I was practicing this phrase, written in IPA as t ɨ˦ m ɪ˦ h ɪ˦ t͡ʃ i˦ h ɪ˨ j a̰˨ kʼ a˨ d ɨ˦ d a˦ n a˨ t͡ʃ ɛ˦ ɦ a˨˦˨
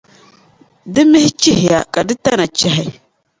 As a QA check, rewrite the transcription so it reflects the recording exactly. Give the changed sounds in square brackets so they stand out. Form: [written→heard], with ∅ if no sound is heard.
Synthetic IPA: [t→d] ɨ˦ m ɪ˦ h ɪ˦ t͡ʃ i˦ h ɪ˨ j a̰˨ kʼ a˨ d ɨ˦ [d→t] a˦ n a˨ t͡ʃ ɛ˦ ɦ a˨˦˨